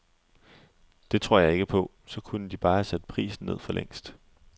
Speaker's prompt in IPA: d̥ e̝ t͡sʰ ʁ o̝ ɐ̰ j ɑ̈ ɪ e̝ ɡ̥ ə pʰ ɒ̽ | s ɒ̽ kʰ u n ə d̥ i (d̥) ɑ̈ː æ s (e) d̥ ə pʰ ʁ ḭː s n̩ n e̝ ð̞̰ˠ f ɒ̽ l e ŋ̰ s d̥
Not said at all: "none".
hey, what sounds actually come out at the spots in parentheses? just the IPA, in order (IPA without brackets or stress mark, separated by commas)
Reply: b̥, æ